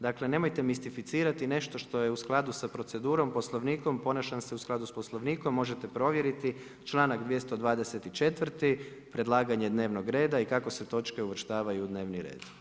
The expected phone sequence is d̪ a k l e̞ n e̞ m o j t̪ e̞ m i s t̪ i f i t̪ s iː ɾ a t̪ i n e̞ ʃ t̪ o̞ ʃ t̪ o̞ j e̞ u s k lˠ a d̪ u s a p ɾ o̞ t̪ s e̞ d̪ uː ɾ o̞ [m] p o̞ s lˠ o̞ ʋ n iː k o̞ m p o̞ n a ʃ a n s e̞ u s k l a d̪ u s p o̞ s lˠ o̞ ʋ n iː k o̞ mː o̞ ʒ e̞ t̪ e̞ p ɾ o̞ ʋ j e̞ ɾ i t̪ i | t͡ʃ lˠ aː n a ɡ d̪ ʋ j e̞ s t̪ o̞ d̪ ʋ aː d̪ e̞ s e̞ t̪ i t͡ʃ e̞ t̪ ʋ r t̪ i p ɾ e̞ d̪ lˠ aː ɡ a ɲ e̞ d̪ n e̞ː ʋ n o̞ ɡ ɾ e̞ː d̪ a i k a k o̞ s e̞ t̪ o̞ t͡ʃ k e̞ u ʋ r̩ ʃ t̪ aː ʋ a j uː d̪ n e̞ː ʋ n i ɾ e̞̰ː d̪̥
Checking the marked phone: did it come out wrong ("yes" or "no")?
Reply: no